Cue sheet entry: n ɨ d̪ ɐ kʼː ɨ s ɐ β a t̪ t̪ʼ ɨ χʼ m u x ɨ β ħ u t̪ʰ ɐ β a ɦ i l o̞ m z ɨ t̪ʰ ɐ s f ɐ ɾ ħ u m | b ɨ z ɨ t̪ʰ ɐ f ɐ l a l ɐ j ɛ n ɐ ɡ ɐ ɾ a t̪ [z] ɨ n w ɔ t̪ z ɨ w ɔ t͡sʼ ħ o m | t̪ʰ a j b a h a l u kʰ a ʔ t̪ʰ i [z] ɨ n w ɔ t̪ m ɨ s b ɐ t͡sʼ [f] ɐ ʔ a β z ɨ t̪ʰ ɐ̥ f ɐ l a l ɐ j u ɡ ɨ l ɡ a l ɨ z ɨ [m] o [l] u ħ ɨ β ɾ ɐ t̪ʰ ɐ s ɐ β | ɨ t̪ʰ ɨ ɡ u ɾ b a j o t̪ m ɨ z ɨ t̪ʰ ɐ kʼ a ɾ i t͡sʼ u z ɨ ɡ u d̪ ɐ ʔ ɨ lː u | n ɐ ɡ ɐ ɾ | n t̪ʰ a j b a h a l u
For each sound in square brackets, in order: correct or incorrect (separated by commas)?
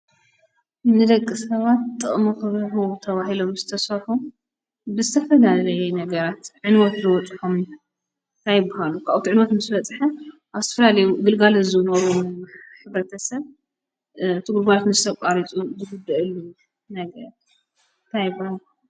incorrect, incorrect, incorrect, incorrect, incorrect